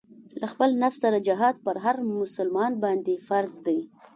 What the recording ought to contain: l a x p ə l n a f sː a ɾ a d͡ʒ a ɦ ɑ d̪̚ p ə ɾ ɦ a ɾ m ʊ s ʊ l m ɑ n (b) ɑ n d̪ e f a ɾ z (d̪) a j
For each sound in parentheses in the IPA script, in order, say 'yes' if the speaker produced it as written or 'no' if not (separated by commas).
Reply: yes, yes